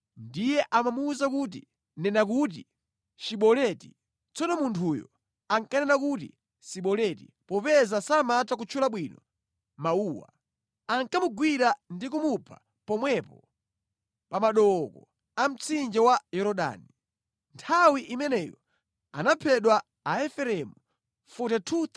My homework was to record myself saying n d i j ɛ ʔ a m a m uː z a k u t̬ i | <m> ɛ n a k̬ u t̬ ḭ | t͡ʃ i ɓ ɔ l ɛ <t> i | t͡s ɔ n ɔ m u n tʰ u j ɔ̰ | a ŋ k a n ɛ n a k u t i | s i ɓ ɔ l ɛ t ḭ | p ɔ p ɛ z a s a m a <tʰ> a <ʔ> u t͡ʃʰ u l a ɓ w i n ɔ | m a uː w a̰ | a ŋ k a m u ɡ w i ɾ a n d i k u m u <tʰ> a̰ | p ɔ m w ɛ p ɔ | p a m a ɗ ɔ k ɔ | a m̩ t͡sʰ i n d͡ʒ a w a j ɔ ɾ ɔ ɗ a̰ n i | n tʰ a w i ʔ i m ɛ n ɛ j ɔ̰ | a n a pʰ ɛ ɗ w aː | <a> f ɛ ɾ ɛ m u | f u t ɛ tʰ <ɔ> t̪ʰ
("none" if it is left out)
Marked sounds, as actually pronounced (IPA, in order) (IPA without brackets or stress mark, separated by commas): n, t, t, k, pʰ, ɛ, u